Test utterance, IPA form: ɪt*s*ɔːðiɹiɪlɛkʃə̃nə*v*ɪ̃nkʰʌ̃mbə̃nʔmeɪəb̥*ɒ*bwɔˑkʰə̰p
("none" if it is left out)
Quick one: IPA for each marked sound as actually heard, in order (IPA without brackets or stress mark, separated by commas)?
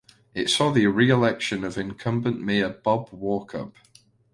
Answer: s, v, ɒ